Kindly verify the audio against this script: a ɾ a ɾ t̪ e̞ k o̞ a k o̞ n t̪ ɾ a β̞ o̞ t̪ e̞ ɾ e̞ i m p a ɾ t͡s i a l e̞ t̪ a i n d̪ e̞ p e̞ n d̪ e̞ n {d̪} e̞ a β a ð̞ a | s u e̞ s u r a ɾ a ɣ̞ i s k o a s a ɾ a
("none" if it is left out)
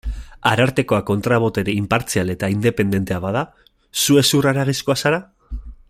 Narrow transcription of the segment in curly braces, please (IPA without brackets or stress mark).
t̪